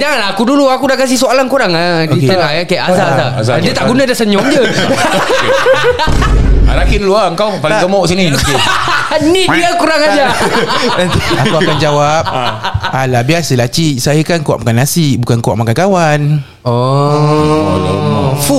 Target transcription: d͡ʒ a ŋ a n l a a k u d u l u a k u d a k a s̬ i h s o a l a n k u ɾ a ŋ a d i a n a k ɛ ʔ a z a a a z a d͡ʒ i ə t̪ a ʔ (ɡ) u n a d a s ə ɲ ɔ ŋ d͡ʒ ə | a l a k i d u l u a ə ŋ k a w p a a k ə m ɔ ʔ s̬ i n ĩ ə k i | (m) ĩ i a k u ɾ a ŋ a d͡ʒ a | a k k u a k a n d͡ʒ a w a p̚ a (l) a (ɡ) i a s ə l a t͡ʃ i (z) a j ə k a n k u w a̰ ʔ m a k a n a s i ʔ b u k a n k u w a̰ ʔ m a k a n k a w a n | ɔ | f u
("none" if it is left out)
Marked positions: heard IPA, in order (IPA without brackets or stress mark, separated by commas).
ɡ, n, l, b, s